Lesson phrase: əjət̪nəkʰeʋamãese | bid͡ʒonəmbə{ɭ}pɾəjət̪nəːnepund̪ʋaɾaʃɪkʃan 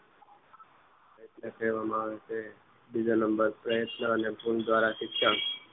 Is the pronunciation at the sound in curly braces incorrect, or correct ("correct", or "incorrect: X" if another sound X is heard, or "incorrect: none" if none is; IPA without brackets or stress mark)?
incorrect: ɾ